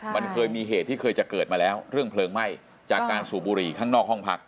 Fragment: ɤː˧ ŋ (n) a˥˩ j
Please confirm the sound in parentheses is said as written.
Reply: no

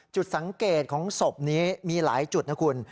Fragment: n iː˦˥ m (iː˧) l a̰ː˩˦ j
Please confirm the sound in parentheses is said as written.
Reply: yes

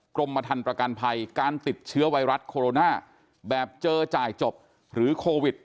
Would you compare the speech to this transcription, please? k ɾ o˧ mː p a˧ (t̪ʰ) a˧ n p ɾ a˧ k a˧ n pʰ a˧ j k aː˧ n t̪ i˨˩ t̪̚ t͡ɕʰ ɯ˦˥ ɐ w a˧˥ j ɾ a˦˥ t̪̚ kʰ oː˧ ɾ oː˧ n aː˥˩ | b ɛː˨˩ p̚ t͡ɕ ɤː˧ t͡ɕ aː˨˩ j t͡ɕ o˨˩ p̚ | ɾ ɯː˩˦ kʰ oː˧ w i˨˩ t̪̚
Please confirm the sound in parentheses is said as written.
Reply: yes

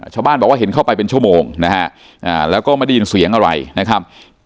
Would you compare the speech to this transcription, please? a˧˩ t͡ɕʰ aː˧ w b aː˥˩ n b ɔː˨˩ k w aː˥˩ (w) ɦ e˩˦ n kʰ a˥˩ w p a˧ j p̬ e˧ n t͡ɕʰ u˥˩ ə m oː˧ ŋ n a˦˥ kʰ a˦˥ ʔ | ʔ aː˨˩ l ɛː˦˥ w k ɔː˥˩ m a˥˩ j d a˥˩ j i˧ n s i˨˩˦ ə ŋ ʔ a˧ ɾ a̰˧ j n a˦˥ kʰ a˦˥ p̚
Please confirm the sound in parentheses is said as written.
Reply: no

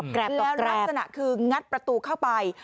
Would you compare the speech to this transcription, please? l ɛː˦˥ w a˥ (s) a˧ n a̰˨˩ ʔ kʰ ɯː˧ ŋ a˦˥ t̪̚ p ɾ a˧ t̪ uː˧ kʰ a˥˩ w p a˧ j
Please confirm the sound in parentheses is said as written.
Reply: yes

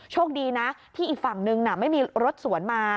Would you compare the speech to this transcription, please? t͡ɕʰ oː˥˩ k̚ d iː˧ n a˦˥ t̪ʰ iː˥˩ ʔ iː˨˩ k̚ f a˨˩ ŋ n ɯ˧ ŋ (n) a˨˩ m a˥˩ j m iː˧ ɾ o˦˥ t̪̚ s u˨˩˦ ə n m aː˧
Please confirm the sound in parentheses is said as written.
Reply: yes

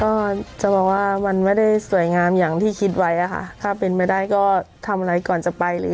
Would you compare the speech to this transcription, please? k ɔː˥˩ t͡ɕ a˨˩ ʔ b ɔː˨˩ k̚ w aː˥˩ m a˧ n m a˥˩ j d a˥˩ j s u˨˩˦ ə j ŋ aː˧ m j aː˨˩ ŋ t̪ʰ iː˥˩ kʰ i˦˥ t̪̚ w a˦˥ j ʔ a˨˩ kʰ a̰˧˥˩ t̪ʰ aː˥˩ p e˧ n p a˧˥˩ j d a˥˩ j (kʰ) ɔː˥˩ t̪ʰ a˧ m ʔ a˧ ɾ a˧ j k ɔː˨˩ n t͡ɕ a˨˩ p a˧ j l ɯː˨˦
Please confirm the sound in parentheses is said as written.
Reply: no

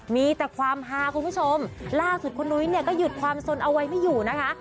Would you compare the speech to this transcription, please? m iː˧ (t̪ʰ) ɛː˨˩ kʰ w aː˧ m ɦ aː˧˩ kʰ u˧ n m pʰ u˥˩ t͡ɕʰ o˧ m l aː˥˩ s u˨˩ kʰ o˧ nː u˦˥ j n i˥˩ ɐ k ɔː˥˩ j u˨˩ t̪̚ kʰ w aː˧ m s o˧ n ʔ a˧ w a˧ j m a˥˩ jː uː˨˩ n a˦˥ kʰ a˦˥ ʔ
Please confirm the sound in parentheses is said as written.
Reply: no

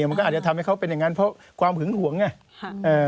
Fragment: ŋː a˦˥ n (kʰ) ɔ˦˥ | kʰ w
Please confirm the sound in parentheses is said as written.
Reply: no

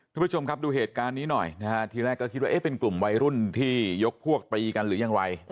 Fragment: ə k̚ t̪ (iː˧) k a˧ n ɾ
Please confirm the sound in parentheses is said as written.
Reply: yes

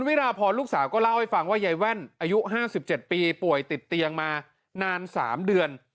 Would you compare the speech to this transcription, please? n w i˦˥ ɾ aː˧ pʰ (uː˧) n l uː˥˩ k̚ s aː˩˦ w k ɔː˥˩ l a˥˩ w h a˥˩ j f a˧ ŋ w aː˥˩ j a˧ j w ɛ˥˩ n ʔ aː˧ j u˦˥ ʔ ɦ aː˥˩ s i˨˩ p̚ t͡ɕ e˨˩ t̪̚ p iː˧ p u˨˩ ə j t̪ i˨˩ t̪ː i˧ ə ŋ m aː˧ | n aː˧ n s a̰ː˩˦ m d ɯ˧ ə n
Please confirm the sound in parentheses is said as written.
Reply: no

